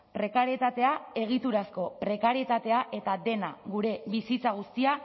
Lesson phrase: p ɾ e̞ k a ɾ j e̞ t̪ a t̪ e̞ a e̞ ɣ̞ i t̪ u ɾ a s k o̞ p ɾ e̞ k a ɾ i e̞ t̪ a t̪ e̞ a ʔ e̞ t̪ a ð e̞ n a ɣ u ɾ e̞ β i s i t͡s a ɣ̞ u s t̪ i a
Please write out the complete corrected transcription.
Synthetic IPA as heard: p ɾ e̞ k a ɾ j e̞ t̪ a t̪ e̞ a e̞ ɣ̞ i t̪ u ɾ a s k o̞ p ɾ e̞ k a ɾ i e̞ t̪ a t̪ e̞ a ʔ e̞ t̪ a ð e̞ n a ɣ u ɾ e̞ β i s i t͡s a ɣ̞ u s t̪ i a

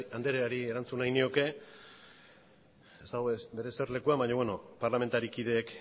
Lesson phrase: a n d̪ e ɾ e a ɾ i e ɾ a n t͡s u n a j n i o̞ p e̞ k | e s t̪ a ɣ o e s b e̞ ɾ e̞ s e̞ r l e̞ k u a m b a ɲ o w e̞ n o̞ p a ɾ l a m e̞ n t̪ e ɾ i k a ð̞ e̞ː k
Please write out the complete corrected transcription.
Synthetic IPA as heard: a n d̪ e ɾ e a ɾ i e ɾ a n t͡s u n a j n i o̞ k e̞ | e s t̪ a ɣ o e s b e̞ ɾ e̞ s e̞ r l e̞ k u a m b a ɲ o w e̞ n o̞ p a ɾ l a m e̞ n t̪ a ɾ i k i ð̞ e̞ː k

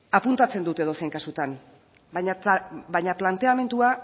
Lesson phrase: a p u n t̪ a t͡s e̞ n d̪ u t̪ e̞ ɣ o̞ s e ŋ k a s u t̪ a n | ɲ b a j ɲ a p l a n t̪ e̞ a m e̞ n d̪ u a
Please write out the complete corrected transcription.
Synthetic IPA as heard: a p u n t̪ a t͡s e̞ n d̪ u t̪ e̞ ð o̞ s e ŋ k a s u t̪ a n | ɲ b a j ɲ a p l a n t̪ e̞ a m e̞ n t̪ u a

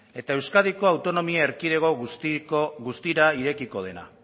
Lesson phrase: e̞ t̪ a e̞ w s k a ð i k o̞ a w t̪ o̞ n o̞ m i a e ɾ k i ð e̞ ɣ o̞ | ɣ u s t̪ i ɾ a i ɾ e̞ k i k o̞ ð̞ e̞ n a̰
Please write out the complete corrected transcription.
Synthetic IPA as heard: e̞ t̪ a e̞ w s k a ð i k o̞ a w t̪ o̞ n o̞ m i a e ɾ k i ð e̞ ɣ o̞ | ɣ u s t̪ i ɾ a i ɾ e̞ k i k o̞ ð̞ e̞ n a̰

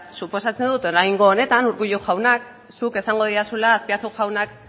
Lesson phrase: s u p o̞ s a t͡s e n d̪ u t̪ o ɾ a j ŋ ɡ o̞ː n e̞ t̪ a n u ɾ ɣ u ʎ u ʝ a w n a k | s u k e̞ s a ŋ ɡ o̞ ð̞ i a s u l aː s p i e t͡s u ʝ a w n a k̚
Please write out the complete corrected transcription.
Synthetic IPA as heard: s u p o̞ s a t͡s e n d̪ u t̪ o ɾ a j ŋ ɡ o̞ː n e̞ t̪ a n u ɾ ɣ u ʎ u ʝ a w n a k | s u k e̞ s a ŋ ɡ o̞ ð̞ i a s u l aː s p i a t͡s u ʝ a w n a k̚

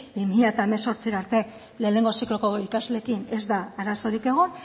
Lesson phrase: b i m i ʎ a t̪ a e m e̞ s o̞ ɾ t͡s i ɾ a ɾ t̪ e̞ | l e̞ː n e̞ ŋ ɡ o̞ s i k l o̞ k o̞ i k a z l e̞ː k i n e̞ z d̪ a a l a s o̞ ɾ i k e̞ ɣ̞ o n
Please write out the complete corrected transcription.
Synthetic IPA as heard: b i m i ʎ a t̪ a e m e̞ s o̞ ɾ t͡s i ɾ a ɾ t̪ e̞ | l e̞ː n e̞ ŋ ɡ o̞ s i k l o̞ k o̞ i k a z l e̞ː k i n e̞ z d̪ a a ɾ a s o̞ ɾ i k e̞ ɣ̞ o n

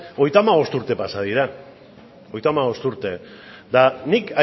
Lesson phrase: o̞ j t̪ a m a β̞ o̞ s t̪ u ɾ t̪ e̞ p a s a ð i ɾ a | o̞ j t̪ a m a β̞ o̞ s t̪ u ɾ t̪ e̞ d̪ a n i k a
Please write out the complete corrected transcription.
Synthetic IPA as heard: o̞ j t̪ a m a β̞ o̞ s t̪ u ɾ t̪ e̞ p a s a ð i ɾ a | o̞ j t̪ a m a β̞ o̞ s t̪ u ɾ t̪ e̞ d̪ a n i k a

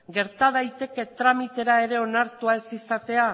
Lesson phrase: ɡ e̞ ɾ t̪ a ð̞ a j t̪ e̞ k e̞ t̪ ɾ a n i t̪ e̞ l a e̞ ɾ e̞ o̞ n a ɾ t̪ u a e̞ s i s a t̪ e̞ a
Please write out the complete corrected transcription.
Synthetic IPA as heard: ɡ e̞ ɾ t̪ a ð̞ a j t̪ e̞ k e̞ t̪ ɾ a m i t̪ e̞ ɾ a e̞ ɾ e̞ o̞ n a ɾ t̪ u a e̞ s i s a t̪ e̞ a

